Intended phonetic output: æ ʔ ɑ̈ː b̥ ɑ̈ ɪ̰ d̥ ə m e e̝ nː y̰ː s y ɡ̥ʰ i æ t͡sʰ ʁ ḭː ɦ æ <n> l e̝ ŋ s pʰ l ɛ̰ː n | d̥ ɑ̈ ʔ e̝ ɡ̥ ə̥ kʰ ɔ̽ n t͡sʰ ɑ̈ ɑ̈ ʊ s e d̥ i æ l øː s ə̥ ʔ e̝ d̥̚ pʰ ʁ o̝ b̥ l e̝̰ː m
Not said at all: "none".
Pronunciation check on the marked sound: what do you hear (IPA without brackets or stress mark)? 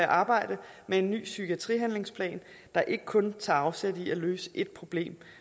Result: n